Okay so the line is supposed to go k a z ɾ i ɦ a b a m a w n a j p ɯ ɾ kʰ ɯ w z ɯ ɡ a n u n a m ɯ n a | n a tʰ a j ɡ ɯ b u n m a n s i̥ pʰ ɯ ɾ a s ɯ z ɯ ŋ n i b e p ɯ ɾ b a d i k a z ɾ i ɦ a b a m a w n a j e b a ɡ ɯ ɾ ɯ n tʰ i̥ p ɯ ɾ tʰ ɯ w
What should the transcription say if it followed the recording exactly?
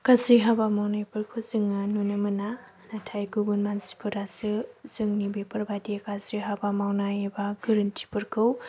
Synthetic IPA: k a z ɾ i ɦ a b a m a w n a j p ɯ ɾ kʰ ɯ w z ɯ ŋ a n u n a m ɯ n a | n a tʰ a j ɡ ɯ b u n m a n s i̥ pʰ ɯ ɾ a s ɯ z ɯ ŋ n i b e p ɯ ɾ b a d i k a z ɾ i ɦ a b a m a w n a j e b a ɡ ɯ ɾ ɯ n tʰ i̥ p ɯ ɾ kʰ ɯ w